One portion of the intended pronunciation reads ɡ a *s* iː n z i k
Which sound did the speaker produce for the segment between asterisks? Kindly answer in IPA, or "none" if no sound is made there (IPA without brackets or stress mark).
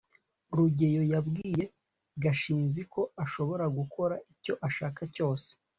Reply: ʃ